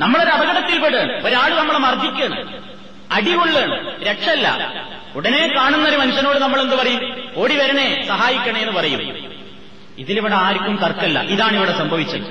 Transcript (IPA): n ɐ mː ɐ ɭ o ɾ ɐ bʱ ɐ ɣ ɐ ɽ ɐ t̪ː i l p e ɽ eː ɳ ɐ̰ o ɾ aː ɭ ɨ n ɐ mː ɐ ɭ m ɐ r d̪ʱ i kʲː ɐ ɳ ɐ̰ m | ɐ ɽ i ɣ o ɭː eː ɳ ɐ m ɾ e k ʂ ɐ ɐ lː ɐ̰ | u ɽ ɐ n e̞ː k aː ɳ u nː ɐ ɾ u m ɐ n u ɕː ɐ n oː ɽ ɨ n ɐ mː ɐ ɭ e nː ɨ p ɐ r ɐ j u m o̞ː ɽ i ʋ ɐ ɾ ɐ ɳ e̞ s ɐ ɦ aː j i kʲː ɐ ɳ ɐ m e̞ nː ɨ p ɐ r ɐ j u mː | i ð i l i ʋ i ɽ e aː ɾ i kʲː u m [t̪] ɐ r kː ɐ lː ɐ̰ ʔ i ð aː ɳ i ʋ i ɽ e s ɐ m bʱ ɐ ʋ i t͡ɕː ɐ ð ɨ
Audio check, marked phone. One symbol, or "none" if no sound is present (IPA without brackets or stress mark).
t̪